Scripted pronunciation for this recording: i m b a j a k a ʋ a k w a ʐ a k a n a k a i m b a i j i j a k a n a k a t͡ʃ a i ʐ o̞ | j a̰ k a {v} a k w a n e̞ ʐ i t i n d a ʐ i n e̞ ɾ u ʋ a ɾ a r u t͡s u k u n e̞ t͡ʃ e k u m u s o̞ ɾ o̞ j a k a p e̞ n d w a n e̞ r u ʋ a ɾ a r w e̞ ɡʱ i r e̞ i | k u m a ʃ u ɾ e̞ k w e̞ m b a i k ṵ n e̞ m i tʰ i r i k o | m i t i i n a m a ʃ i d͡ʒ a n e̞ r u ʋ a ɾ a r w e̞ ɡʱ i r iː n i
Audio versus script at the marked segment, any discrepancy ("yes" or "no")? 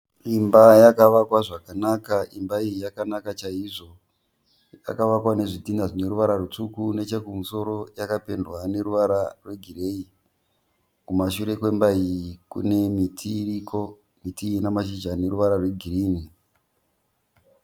yes